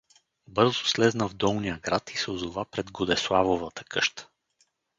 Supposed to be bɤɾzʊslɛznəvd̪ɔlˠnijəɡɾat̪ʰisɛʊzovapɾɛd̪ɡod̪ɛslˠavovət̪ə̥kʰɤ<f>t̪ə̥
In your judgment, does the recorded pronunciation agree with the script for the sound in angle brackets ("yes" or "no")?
no